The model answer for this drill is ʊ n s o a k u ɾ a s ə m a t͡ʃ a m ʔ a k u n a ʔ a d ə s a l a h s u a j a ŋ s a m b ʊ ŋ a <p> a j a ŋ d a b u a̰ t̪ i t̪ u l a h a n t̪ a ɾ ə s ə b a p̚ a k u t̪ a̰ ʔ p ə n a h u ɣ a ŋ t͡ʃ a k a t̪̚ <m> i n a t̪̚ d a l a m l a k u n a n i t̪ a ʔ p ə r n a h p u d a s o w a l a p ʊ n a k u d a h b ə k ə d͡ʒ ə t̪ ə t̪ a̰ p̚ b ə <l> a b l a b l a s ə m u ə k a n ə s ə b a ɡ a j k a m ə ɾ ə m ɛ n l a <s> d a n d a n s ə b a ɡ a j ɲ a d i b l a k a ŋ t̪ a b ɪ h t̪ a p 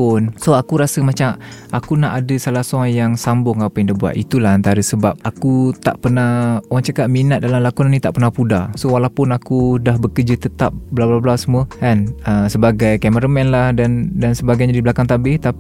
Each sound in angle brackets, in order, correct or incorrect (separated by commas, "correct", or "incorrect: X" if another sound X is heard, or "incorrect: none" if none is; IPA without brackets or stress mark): correct, correct, correct, incorrect: h